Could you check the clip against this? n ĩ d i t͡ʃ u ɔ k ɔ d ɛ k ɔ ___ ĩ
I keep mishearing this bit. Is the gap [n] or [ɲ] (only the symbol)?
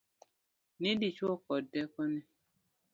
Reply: n